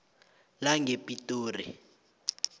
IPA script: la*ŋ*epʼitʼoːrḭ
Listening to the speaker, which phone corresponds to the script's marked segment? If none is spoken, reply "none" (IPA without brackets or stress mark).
ŋ